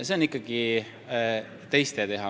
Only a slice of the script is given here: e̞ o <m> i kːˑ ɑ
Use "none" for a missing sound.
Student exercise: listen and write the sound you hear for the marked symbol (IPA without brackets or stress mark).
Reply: n